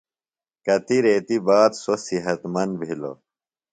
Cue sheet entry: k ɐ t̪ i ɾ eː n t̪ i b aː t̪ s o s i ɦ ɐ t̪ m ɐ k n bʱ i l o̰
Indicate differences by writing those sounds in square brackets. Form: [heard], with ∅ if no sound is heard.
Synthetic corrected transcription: k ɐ t̪ i ɾ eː [∅] t̪ i b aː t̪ s o s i ɦ ɐ t̪ m ɐ [∅] n bʱ i l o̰

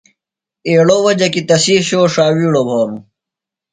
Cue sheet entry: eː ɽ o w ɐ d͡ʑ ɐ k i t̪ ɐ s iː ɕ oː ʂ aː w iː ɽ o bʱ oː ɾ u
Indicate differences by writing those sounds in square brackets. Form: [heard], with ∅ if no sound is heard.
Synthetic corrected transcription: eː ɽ o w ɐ d͡ʑ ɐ k i t̪ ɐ s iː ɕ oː ʂ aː w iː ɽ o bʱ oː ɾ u

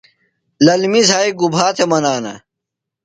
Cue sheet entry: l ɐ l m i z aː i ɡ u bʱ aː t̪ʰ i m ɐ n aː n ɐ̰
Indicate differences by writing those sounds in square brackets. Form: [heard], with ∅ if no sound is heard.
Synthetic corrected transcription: l ɐ l m i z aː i ɡ u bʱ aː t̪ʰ [e] m ɐ n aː n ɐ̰

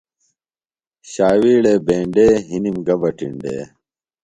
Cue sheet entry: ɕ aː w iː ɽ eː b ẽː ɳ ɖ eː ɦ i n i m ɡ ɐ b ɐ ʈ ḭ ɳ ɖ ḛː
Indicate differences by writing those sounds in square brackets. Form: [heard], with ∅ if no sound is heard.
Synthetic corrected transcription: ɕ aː w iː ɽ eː b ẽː ɳ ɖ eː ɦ i n i m ɡ ɐ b ɐ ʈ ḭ ɳ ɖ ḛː

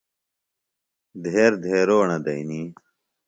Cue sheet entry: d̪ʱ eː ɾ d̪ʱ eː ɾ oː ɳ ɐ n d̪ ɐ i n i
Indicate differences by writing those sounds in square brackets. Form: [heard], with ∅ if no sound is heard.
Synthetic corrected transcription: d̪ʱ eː ɾ d̪ʱ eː ɾ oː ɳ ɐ [∅] d̪ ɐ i n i

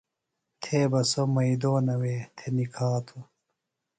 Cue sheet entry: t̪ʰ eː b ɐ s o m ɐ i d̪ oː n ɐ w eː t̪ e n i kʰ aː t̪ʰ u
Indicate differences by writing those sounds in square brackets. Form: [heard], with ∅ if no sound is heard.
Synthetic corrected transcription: t̪ʰ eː b ɐ s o m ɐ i d̪ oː n ɐ w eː [t̪ʰ] e n i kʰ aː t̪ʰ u

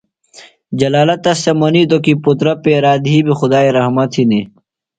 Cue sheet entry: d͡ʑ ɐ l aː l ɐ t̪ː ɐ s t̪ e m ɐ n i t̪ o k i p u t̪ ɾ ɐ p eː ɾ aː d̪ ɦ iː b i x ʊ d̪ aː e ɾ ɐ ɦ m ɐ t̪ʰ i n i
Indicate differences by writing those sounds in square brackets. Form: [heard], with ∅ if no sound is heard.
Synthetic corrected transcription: d͡ʑ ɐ l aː l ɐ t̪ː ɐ s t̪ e m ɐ n i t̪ o k i p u t̪ ɾ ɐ p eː ɾ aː d̪ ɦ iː b i x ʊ d̪ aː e ɾ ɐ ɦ m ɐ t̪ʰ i n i

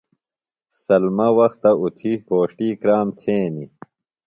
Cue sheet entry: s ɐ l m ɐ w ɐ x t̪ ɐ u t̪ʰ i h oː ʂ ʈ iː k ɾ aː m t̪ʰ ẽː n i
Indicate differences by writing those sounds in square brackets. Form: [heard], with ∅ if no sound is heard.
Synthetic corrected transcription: s ɐ l m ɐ w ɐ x t̪ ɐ u t̪ʰ i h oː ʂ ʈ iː k ɾ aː m t̪ʰ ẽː n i

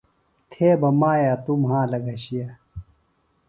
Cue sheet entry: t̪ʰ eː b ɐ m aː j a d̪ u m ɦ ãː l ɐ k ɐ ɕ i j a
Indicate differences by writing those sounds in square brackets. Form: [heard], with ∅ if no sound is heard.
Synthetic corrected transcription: t̪ʰ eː b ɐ m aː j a [t̪] u m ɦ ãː l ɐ [ɡ] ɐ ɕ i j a

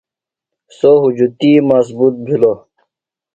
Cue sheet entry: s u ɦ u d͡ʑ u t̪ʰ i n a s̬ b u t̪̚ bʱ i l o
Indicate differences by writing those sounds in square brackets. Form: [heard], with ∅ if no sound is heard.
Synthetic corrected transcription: s [o] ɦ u d͡ʑ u [t̪] i [m] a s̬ b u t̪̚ bʱ i l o

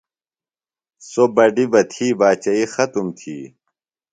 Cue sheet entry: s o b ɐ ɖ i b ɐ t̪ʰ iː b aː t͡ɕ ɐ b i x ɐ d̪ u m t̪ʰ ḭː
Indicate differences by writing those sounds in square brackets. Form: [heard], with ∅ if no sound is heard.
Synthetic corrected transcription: s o b ɐ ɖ i b ɐ t̪ʰ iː b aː t͡ɕ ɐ [∅] i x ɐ [t̪] u m t̪ʰ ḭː

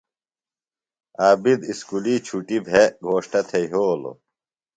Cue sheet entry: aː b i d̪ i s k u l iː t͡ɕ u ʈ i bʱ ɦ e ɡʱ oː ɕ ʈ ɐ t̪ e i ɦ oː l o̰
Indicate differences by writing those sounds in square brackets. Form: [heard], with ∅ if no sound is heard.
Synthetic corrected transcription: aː b i d̪ i s k u l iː [t͡ɕʰ] u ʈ i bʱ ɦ e ɡʱ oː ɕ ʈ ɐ [t̪ʰ] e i ɦ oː l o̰

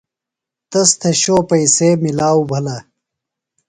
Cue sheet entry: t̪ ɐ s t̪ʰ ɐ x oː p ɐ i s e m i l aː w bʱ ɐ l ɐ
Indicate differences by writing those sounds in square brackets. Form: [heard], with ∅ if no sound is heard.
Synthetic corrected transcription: t̪ ɐ s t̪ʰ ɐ [ɕ] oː p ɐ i s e m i l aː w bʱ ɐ l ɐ

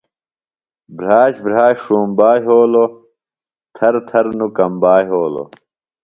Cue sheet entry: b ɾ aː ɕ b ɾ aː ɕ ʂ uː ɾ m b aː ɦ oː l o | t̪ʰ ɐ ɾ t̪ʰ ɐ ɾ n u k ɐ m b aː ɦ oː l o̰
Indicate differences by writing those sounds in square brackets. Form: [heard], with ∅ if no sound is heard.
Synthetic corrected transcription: b ɾ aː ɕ b ɾ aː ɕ ʂ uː [∅] m b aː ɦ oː l o | t̪ʰ ɐ ɾ t̪ʰ ɐ ɾ n u k ɐ m b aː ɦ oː l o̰

